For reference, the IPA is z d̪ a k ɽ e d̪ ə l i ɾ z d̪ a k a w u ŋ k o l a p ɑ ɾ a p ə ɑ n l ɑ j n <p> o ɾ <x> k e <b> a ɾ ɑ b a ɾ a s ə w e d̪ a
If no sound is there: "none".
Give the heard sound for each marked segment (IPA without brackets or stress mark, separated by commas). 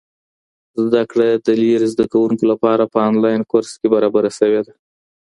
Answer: k, s, b